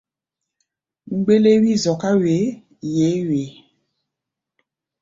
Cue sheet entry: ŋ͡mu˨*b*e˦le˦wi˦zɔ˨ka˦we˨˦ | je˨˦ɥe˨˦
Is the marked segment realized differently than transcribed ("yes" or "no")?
yes